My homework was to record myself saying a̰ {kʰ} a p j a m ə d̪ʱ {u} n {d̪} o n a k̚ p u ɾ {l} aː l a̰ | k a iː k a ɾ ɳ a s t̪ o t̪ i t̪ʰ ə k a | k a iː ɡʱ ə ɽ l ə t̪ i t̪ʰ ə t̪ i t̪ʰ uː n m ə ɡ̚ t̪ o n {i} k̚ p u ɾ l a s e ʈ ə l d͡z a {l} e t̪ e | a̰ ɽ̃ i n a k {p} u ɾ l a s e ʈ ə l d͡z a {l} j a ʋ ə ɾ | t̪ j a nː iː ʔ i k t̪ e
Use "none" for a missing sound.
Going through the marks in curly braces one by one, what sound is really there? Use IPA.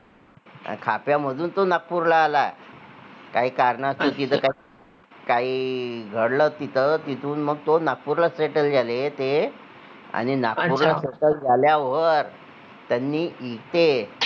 kʰ, uː, t̪, l, a, l, p, l

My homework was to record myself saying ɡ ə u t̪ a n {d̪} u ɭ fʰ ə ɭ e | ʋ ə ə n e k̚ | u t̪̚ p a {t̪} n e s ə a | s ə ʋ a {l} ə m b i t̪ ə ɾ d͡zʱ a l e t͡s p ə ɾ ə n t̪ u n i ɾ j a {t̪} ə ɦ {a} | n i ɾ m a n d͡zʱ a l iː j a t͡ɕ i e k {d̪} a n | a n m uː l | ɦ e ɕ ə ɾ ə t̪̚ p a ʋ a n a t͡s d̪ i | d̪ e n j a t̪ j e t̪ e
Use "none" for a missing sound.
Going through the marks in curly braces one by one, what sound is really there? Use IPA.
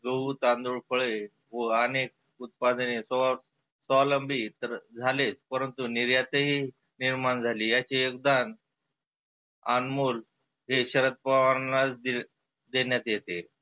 d̪, d̪, l, t̪, i, d̪

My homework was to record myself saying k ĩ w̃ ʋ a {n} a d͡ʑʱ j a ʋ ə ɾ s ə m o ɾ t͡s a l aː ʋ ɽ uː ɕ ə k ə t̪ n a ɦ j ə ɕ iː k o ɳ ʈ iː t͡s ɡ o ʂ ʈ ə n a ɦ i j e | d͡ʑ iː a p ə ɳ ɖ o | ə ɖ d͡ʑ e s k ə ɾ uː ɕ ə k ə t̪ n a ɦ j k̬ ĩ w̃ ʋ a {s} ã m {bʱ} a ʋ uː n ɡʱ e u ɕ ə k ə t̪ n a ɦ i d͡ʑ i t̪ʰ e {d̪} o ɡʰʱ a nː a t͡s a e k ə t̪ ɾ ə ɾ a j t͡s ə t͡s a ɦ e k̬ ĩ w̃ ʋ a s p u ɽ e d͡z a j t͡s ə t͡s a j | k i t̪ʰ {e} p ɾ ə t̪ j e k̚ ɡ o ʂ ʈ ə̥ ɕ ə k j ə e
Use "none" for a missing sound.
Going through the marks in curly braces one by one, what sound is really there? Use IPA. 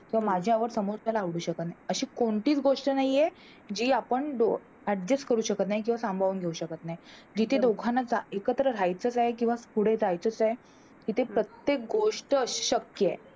m, s, bʱ, d̪, e

